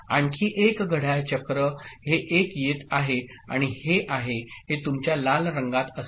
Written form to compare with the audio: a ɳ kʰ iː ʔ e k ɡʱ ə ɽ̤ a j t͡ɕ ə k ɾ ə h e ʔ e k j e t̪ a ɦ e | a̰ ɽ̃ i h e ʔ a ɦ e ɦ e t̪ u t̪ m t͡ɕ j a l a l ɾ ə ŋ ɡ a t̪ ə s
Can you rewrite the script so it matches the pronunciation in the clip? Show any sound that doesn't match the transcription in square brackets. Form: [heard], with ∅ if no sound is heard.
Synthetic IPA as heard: a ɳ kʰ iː ʔ e k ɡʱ ə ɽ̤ a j t͡ɕ ə k ɾ ə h e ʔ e k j e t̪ a ɦ e | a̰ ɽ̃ i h e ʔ a ɦ e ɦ e t̪ u [∅] m t͡ɕ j a l a l ɾ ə ŋ ɡ a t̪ ə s